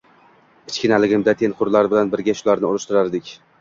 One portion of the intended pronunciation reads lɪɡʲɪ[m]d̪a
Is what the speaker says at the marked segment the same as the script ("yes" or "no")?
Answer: yes